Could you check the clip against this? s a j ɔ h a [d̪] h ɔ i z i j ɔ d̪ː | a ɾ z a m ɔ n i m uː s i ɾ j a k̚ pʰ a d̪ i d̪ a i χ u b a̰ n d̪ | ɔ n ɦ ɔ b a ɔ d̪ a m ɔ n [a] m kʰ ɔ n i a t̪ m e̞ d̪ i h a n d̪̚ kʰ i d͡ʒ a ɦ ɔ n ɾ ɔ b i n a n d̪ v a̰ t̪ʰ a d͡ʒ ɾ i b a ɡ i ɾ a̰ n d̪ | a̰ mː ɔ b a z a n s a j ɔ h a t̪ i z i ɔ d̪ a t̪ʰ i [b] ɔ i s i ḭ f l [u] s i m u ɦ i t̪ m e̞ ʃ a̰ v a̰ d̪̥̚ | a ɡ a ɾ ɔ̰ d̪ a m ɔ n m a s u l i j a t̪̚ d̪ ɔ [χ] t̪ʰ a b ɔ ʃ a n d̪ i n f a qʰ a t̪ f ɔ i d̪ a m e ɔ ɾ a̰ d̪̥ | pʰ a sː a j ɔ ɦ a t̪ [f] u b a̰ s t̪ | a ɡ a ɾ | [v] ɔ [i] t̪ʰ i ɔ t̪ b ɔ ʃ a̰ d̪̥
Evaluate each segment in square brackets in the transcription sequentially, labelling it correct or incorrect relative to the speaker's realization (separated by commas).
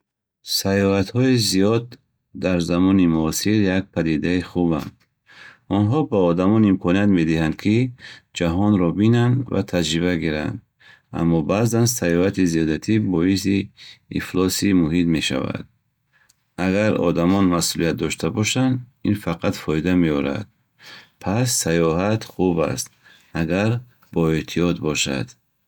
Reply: incorrect, incorrect, correct, incorrect, incorrect, incorrect, incorrect, incorrect